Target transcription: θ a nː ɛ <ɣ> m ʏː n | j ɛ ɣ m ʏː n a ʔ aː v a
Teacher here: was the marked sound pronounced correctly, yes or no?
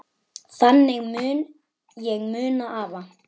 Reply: yes